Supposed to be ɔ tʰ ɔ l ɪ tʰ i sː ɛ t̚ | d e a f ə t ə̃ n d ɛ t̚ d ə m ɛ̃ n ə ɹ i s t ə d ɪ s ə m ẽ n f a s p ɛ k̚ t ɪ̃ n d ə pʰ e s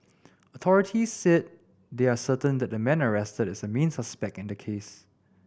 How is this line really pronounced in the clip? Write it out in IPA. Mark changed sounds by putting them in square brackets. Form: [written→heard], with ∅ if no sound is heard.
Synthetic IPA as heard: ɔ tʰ ɔ [l→ɹ] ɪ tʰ i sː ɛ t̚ | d e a [f→s] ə t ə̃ n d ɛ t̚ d ə m ɛ̃ n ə ɹ [i→ɛ] s t ə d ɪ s ə m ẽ n [f→s] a s p ɛ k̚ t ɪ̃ n d ə [pʰ→kʰ] e s